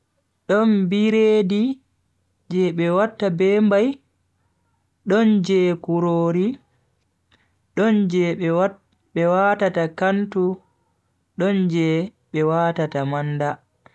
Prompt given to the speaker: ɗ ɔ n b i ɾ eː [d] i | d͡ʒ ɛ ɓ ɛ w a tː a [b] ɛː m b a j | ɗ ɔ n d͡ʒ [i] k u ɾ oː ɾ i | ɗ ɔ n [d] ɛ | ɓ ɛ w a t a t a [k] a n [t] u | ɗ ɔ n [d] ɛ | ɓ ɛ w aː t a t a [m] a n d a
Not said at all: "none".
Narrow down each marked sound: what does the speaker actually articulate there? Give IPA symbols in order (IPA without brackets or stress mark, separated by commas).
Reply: d, b, ɛ, d͡ʒ, k, t, d͡ʒ, m